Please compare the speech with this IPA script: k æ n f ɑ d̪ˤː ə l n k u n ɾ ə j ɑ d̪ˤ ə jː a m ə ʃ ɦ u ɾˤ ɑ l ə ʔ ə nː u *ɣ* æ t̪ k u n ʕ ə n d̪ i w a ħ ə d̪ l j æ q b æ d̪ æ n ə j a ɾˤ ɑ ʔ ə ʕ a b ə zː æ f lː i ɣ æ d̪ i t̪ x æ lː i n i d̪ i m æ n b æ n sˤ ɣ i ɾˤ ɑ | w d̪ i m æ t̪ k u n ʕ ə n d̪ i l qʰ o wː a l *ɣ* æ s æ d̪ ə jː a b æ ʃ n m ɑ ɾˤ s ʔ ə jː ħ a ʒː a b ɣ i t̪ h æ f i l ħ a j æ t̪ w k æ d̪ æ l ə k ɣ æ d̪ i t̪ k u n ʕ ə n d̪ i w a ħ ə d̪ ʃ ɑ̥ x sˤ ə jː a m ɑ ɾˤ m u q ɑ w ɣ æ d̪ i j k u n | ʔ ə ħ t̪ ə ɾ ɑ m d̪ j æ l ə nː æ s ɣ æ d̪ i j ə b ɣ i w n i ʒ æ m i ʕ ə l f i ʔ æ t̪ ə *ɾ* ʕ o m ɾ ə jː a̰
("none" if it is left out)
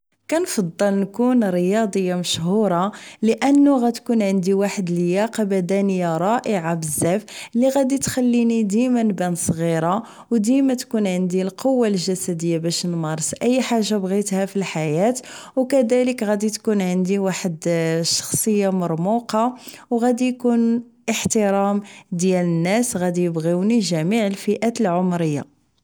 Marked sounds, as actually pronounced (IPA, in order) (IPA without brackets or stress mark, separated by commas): ɣ, ʒ, l